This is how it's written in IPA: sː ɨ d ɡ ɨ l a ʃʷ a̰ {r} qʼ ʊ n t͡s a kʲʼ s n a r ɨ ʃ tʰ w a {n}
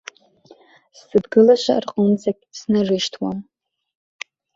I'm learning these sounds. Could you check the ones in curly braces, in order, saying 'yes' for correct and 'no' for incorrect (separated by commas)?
yes, no